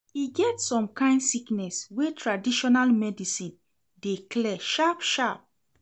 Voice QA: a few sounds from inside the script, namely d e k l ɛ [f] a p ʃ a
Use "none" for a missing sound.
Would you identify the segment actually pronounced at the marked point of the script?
ʃ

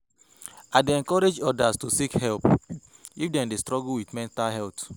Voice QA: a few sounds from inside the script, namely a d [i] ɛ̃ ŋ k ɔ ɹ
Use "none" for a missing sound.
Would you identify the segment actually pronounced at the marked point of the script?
e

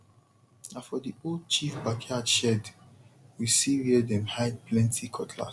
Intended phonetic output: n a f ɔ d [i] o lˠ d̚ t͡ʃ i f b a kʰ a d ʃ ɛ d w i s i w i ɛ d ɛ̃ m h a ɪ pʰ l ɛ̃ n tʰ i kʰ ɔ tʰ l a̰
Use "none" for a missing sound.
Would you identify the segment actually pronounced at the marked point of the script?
i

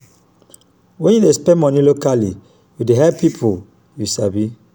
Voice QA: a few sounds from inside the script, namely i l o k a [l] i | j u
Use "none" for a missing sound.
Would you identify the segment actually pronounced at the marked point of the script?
l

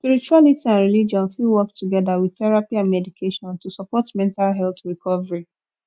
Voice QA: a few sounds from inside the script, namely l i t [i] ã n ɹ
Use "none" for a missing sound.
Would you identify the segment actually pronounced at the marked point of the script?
i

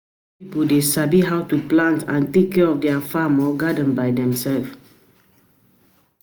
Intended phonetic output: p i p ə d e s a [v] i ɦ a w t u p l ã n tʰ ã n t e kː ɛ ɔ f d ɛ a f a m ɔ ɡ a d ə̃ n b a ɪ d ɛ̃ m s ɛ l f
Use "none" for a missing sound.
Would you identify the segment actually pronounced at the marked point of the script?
b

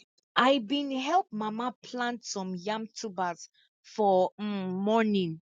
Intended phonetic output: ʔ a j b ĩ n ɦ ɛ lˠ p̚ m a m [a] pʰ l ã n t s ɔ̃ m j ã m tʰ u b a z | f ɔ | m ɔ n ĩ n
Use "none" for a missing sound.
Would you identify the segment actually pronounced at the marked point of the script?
a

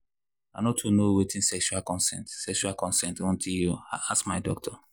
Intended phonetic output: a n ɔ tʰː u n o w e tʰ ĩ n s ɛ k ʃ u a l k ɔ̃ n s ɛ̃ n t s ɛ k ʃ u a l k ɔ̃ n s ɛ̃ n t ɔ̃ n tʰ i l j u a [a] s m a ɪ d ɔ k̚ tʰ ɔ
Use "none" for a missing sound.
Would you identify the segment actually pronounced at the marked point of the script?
a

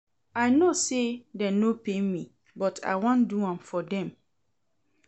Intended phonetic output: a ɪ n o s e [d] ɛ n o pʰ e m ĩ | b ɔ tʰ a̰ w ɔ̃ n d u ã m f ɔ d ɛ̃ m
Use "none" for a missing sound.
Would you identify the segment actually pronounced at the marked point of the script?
d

